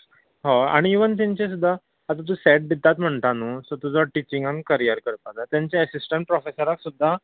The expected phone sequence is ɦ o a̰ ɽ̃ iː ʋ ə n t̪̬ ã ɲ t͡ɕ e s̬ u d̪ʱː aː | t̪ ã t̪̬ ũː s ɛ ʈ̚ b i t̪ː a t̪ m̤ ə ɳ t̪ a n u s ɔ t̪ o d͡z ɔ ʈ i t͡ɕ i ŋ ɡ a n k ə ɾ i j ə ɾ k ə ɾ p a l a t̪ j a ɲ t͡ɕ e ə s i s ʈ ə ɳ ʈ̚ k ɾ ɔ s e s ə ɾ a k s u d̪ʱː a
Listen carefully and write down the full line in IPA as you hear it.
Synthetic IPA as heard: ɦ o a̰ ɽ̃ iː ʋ ə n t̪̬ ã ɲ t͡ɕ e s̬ u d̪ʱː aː | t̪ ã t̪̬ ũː s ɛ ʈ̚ b i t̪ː a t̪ m̤ ə ɳ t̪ a n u s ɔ t̪ u d͡z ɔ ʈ i t͡ɕ i ŋ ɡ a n k ə ɾ i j ə ɾ k ə ɾ p a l a t̪ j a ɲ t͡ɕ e ə s i s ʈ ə ɳ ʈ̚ p ɾ ɔ f e s ə ɾ a k s u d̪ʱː a